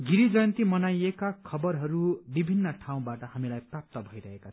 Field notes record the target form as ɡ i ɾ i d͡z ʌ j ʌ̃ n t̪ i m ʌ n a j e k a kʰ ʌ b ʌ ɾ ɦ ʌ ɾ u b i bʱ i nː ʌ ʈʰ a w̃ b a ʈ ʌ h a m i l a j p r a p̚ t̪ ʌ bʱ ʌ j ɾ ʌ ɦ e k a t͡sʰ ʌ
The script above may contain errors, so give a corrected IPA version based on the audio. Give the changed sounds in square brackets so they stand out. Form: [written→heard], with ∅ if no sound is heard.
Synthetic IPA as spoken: ɡ i ɾ i d͡z ʌ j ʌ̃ n t̪ i m ʌ n a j e k a kʰ ʌ b ʌ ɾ ɦ ʌ ɾ u b i bʱ i nː ʌ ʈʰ a w̃ b a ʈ ʌ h a m i l a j p r a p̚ t̪ ʌ bʱ ʌ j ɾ ʌ ɦ e k a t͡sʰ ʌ